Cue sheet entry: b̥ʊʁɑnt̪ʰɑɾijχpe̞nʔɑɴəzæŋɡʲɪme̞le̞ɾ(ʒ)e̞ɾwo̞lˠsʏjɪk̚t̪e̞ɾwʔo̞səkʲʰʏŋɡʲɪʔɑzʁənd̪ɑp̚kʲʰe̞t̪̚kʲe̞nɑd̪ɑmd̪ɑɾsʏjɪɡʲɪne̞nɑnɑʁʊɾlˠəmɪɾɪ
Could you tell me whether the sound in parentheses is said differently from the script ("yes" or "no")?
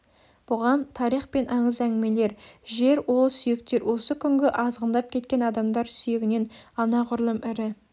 no